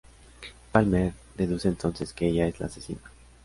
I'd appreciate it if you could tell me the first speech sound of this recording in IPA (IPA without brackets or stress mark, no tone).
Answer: p